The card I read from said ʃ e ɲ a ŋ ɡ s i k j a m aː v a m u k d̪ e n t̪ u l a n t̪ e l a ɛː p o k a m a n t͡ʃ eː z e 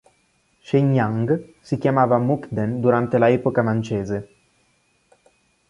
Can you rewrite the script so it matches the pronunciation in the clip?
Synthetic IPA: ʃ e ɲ a ŋ ɡ s i k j a m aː v a m u k d̪ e n d̪ u ɾ a n t̪ e l a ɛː p o k a m a n t͡ʃ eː z e